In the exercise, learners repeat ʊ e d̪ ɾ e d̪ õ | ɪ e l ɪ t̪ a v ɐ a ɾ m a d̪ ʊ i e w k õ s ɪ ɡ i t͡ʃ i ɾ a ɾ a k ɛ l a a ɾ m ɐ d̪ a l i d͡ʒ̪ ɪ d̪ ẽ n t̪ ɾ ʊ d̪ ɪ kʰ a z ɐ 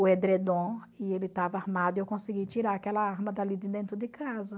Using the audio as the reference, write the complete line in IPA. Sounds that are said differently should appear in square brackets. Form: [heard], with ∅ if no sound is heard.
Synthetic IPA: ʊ e d̪ ɾ e d̪ õ | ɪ e l ɪ t̪ a v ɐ a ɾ m a d̪ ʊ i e w k õ s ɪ ɡ i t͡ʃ i ɾ a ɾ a k ɛ l [ɐ] a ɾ m ɐ d̪ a l i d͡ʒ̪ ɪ d̪ ẽ n t̪ ɾ ʊ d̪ ɪ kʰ a z ɐ